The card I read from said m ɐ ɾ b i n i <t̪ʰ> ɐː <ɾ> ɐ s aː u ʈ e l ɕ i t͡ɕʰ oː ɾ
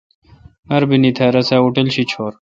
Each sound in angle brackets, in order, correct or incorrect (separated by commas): correct, correct